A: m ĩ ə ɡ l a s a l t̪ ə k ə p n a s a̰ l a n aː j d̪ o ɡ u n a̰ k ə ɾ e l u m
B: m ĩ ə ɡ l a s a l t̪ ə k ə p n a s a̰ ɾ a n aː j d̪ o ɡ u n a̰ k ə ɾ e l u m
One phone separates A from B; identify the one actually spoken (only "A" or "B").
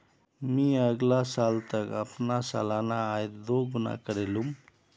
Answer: A